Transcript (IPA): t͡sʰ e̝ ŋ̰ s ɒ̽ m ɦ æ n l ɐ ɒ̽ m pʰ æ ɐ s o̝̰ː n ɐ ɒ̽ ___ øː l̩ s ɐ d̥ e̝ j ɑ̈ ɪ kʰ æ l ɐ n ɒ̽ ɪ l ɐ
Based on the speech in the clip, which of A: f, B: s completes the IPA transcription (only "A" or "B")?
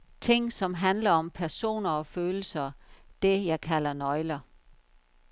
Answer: A